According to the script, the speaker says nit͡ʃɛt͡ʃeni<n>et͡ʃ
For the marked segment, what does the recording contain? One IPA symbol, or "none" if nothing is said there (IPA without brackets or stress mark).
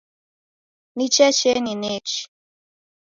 n